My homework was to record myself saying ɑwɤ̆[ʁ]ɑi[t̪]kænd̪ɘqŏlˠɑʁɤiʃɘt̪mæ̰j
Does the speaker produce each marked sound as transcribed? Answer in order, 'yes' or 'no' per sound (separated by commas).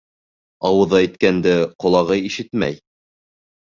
no, yes